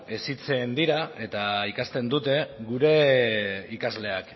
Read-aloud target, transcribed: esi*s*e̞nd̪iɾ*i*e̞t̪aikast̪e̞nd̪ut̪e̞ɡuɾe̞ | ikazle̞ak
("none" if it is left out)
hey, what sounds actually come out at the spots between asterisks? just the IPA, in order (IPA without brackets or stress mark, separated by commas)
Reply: t͡s, a